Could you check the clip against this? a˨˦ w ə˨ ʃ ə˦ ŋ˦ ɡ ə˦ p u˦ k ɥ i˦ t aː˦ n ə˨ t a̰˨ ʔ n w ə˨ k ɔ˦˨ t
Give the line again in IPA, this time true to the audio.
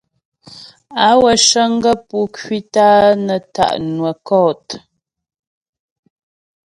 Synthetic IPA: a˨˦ w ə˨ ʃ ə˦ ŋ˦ ɡ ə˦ p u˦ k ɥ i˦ t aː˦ n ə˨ t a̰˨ ʔ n w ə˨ k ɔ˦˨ t

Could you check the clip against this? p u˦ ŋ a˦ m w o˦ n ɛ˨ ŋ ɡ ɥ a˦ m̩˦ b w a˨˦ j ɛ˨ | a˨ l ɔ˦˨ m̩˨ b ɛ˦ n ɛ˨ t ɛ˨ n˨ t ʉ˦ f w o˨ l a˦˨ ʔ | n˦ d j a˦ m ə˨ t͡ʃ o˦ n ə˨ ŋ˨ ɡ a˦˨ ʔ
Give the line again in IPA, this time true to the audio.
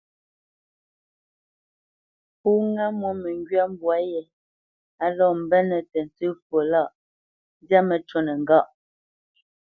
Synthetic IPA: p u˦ ŋ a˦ m w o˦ m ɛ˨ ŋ ɡ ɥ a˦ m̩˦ b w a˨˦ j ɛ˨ | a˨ l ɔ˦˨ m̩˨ b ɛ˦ n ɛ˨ t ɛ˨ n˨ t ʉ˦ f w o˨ l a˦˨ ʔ | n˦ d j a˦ m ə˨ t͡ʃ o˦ n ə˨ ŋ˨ ɡ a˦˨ ʔ

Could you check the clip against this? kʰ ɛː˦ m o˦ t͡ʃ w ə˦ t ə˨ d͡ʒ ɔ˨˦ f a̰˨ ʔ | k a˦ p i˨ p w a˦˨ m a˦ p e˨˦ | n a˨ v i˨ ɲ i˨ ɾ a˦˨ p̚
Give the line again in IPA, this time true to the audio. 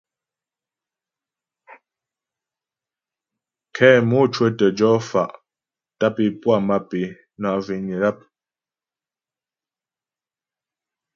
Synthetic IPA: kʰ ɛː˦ m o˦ t͡ʃ w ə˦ t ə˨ d͡ʒ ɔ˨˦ f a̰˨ ʔ | t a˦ p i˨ p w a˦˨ m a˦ p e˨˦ | n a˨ v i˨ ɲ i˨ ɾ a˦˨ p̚

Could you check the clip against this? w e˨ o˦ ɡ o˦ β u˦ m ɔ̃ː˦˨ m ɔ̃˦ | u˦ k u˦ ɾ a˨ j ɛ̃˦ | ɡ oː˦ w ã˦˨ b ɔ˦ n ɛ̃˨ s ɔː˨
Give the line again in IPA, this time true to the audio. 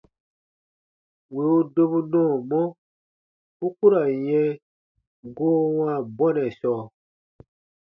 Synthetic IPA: w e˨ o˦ d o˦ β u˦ n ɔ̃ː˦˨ m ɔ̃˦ | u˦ k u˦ ɾ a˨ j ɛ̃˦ | ɡ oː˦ w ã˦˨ b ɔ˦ n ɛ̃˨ s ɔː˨

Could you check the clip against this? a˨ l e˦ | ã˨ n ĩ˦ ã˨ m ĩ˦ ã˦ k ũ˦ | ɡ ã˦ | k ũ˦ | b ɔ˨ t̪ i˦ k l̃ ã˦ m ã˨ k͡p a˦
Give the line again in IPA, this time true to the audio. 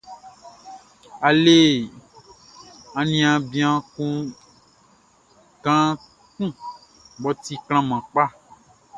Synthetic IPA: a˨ l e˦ | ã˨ n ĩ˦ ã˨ b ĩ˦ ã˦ k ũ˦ | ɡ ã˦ | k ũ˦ | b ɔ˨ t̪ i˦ k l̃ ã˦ m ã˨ k͡p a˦

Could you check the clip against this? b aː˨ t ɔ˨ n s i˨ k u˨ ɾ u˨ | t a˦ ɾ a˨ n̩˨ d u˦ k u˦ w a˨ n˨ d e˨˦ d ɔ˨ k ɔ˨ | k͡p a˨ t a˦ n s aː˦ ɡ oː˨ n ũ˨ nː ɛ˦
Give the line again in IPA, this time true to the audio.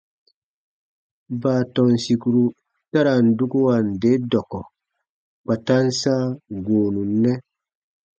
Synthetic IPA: b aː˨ t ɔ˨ n s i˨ k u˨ ɾ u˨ | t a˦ ɾ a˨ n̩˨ d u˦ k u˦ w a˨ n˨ d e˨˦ d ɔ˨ k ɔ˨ | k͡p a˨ t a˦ n s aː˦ ɡ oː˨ n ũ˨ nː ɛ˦

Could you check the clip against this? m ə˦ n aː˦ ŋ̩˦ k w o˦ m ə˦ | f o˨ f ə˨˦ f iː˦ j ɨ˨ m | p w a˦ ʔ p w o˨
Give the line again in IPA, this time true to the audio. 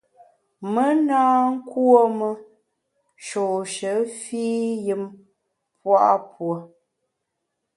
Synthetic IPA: m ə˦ n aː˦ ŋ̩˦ k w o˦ m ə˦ | ʃ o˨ ʃ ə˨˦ f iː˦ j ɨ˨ m | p w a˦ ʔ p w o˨

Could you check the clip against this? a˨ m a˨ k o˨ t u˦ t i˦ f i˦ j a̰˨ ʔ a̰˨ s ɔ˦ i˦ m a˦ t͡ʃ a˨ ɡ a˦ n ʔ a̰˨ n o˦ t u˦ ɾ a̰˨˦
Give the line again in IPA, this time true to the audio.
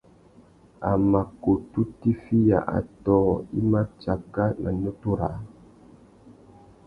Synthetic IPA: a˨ m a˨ k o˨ t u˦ t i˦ f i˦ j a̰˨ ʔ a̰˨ t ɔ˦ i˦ m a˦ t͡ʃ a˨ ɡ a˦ n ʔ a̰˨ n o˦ t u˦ ɾ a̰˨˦

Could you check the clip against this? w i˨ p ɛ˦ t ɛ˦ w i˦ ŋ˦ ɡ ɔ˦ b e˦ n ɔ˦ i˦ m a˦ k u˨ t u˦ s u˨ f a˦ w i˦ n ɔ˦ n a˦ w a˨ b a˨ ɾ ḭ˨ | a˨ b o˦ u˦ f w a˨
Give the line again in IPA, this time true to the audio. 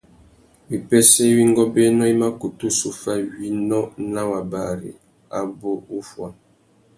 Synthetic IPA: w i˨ p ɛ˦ s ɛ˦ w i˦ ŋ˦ ɡ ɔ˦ b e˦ n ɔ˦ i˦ m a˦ k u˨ t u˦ s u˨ f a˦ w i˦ n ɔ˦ n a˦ w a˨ b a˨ ɾ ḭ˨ | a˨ b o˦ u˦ f w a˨

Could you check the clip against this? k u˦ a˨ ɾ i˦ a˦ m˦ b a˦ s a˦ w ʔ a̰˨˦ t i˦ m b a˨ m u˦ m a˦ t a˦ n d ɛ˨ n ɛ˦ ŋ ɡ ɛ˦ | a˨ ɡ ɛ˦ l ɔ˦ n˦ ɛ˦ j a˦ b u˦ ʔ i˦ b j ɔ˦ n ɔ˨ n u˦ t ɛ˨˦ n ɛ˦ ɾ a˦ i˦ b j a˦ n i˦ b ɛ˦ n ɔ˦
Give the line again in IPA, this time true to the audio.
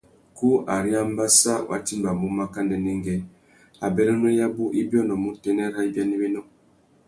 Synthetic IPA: k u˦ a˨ ɾ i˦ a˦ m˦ b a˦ s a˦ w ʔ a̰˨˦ t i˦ m b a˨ m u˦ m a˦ k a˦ n d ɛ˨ n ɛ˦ ŋ ɡ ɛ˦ | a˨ b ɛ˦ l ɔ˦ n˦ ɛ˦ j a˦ b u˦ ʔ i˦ b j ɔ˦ n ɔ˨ m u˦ t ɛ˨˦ n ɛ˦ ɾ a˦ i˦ b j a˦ n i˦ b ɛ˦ n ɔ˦

